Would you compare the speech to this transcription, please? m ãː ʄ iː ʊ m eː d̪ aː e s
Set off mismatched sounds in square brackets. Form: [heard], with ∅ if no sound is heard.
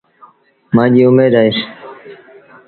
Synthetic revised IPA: m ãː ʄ iː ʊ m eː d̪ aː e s